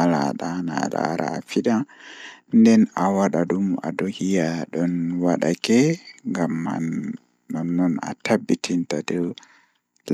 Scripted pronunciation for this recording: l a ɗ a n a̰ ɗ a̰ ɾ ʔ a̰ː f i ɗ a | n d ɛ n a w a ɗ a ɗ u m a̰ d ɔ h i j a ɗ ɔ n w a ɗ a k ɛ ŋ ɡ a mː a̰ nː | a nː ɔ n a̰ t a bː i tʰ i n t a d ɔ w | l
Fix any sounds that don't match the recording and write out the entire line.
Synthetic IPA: l a ɗ a n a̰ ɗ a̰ ɾ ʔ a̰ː f i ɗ a | n d ɛ n a w a ɗ a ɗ u m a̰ d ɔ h i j a ɗ ɔ n w a ɗ a k ɛ ŋ ɡ a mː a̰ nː | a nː ɔ n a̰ t a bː i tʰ i n t a d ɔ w | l